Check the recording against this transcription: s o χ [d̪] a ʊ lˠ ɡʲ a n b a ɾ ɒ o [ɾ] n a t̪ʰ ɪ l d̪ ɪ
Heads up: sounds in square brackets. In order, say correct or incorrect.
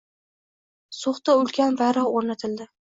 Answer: incorrect: t̪, correct

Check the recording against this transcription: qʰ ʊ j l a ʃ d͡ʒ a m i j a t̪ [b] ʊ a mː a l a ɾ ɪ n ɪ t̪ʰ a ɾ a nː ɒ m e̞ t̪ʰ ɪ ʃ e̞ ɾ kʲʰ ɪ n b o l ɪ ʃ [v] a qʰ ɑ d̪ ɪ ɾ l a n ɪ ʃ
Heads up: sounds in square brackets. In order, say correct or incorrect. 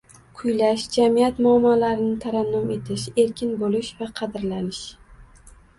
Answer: incorrect: m, correct

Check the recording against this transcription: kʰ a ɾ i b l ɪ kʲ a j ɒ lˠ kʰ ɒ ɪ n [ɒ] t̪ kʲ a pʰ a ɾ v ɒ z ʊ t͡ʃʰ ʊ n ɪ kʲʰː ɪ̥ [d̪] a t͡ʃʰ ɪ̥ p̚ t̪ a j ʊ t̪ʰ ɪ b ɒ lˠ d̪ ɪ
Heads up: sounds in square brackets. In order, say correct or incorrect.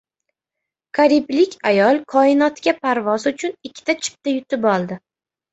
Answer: correct, incorrect: t̪

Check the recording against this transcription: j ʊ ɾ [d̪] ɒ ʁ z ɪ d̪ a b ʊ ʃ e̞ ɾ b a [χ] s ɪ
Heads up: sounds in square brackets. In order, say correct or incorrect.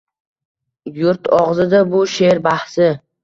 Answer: incorrect: t̪, incorrect: h

